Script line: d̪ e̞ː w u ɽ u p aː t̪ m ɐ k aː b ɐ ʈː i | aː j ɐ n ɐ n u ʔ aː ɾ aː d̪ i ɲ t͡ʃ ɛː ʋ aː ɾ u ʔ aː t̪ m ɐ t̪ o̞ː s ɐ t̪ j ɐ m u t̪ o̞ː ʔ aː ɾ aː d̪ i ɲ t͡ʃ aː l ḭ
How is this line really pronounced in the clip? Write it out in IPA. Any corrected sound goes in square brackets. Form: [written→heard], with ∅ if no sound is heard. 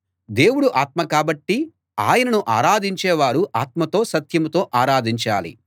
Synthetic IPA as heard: d̪ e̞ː w u ɽ u [p→ʔ] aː t̪ m ɐ k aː b ɐ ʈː i | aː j ɐ n ɐ n u ʔ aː ɾ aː d̪ i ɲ t͡ʃ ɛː ʋ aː ɾ u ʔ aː t̪ m ɐ t̪ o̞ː s ɐ t̪ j ɐ m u t̪ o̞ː ʔ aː ɾ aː d̪ i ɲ t͡ʃ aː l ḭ